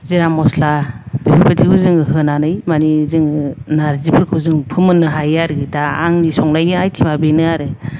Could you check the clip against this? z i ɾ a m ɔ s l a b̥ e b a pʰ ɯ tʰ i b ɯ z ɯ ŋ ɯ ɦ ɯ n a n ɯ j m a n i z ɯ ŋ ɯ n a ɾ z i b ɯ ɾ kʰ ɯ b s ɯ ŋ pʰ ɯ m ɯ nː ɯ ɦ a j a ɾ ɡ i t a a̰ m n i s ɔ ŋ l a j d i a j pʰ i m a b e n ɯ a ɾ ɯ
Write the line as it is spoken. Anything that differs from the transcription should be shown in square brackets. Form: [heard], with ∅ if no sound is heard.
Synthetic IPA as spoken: z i ɾ a m ɔ s l a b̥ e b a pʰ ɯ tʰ i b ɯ z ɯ ŋ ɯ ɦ ɯ n a n ɯ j m a n i z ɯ ŋ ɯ n a ɾ z i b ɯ ɾ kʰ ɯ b [z] ɯ ŋ pʰ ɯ m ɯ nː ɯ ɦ a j a ɾ ɡ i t a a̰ [ŋ] n i s ɔ ŋ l a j [n] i a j [tʰ] i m a b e n ɯ a ɾ ɯ